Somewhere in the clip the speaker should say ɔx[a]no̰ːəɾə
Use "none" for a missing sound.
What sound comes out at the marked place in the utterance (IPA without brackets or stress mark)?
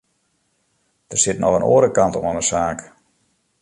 ə